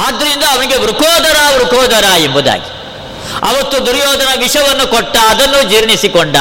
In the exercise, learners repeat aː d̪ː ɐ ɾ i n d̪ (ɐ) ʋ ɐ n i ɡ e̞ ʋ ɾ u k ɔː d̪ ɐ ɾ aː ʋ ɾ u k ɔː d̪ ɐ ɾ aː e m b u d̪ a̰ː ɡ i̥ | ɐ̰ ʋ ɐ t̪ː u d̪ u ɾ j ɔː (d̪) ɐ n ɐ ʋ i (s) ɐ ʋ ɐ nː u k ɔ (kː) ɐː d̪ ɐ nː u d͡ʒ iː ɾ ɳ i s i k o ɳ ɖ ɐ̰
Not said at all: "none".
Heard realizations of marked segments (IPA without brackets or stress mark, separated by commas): ɐː, d̪, ʂ, ʈː